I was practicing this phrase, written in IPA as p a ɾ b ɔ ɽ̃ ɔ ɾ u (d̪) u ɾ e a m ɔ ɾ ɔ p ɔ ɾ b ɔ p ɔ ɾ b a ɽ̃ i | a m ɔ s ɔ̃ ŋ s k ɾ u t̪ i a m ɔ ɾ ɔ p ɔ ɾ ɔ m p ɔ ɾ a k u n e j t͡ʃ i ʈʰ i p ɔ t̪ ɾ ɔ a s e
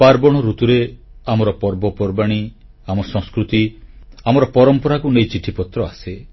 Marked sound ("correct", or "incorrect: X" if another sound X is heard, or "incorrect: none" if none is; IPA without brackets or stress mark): incorrect: t̪